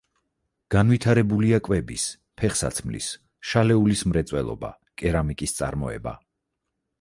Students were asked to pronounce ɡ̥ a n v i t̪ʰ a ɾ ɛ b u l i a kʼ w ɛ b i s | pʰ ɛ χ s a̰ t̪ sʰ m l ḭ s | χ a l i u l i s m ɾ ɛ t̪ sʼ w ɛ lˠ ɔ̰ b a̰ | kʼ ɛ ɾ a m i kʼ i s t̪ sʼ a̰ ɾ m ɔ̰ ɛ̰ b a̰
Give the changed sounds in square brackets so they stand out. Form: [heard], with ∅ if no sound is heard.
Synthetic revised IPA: ɡ̥ a n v i t̪ʰ a ɾ ɛ b u l i a kʼ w ɛ b i s | pʰ ɛ χ s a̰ t̪ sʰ m l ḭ s | [ʃ] a l [ɛ] u l i s m ɾ ɛ t̪ sʼ w ɛ lˠ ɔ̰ b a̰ | kʼ ɛ ɾ a m i kʼ i s t̪ sʼ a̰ ɾ m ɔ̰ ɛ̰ b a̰